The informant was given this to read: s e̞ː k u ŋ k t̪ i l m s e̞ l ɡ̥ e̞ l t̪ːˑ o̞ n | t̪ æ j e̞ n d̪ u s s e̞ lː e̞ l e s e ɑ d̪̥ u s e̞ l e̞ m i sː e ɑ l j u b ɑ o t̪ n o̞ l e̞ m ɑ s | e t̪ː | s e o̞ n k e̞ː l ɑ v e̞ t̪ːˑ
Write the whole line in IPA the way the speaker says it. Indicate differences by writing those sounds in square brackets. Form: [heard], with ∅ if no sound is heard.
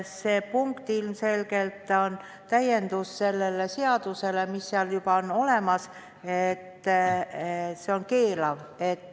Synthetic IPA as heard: s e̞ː [p] u ŋ k t̪ i l m s e̞ l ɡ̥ e̞ l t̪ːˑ o̞ n | t̪ æ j e̞ n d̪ u s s e̞ lː e̞ l e s e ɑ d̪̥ u s e̞ l e̞ m i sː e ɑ l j u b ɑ o [∅] n o̞ l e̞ m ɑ s | e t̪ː | s e o̞ n k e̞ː l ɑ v e̞ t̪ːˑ

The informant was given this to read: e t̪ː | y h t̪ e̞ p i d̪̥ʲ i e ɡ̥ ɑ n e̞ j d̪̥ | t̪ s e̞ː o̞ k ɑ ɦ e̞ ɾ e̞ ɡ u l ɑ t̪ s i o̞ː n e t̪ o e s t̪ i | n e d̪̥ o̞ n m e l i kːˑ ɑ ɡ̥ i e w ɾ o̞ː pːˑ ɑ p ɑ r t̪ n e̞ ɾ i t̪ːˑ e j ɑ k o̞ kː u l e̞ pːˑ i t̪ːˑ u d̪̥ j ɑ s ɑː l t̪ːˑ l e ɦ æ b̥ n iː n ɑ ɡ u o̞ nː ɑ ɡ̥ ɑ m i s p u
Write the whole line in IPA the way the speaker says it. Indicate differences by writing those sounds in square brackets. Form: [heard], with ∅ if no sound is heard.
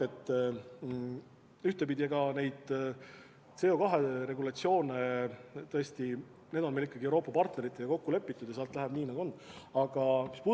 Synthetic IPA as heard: e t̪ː | y h t̪ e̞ p i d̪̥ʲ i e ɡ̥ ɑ n e̞ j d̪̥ | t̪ s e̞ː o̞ k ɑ ɦ e̞ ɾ e̞ ɡ u l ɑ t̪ s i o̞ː n e t̪ [ɤ] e s t̪ i | n e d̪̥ o̞ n m e l i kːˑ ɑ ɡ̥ i e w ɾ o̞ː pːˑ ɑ p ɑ r t̪ n e̞ ɾ i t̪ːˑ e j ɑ k o̞ kː u l e̞ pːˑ i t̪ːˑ u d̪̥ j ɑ s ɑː l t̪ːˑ l [æ] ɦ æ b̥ n iː n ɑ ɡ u o̞ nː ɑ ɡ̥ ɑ m i s p u

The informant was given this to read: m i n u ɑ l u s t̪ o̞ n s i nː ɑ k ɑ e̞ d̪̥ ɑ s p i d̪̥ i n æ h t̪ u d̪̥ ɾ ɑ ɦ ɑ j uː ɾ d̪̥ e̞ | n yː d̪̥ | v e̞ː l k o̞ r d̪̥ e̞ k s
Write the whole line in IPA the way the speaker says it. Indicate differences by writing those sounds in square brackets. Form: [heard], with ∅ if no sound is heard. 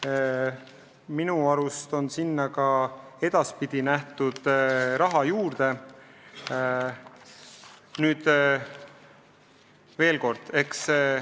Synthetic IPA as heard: m i n u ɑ [ɾ] u s t̪ o̞ n s i nː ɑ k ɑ e̞ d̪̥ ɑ s p i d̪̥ i n æ h t̪ u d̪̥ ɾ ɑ ɦ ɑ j uː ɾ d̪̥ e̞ | n yː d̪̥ | v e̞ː l k o̞ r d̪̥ e̞ k s

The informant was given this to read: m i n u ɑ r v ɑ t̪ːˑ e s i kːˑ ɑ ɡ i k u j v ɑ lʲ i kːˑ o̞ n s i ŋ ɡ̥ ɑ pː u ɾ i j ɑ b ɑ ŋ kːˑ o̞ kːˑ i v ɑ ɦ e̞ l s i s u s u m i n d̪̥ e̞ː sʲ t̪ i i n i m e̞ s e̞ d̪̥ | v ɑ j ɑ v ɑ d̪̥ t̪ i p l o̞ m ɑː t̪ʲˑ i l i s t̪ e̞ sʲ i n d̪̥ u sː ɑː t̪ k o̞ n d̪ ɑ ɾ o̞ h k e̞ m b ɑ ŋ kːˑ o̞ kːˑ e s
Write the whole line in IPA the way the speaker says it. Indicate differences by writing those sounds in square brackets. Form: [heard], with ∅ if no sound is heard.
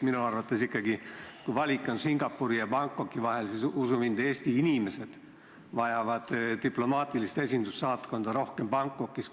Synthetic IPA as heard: m i n u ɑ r v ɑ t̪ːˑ e s i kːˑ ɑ ɡ i k u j v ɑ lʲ i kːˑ o̞ n s i ŋ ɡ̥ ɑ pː u ɾ i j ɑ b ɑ ŋ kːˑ o̞ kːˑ i v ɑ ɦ e̞ l s i s u s u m i n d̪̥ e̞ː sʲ t̪ i i n i m e̞ s e̞ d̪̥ | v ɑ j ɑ v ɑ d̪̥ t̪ i p l o̞ m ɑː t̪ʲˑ i l i s t̪ e̞ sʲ i n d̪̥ u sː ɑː t̪ k o̞ n d̪ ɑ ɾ o̞ h k e̞ m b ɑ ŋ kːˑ o̞ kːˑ [i] s

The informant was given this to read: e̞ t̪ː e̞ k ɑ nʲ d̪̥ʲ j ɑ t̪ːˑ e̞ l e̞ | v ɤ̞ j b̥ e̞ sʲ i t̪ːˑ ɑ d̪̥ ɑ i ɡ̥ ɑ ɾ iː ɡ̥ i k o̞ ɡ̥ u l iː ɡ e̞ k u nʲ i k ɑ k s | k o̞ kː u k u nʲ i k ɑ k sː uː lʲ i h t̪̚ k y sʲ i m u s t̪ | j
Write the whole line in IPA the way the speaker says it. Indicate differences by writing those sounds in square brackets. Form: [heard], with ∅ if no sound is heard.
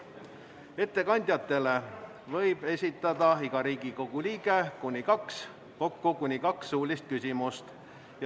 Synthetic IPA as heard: e̞ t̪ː e̞ k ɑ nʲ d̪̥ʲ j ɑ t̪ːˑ e̞ l e̞ | v ɤ̞ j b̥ e̞ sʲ i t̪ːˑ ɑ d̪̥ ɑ i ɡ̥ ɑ ɾ iː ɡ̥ i k o̞ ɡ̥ u l iː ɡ e̞ k u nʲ i k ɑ k s | k o̞ kː u k u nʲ i k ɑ k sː uː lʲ i [s] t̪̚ k y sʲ i m u s t̪ | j

